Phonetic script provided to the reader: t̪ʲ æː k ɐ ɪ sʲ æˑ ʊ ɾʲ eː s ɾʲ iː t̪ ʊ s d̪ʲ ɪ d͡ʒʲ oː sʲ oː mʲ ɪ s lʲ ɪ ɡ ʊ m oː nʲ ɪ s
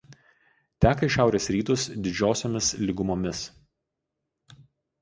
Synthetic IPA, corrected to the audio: t̪ʲ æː k ɐ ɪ ʃʲ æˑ ʊ ɾʲ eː s ɾʲ iː t̪ ʊ s d̪ʲ ɪ d͡ʒʲ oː sʲ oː mʲ ɪ s lʲ ɪ ɡ ʊ m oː mʲ ɪ s